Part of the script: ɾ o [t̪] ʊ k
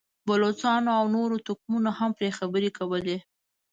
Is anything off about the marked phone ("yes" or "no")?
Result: no